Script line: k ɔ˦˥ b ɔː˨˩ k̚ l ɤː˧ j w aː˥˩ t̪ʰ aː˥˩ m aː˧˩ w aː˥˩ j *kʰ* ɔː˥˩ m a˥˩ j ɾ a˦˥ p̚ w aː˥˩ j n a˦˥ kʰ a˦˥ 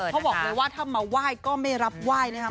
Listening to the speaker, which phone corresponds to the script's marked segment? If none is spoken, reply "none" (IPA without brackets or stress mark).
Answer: k